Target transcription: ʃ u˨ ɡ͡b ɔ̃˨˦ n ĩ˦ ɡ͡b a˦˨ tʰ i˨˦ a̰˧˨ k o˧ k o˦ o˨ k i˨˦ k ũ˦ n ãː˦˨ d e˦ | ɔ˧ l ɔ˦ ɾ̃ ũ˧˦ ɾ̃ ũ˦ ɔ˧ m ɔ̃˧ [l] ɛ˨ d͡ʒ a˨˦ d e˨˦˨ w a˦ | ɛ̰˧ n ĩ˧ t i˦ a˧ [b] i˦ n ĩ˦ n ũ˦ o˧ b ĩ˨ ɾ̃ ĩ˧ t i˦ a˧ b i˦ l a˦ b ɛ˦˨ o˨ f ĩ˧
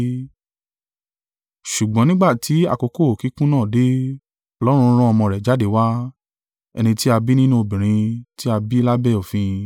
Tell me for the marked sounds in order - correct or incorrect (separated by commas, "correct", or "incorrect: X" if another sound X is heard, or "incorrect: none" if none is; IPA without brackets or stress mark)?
incorrect: ɾ, correct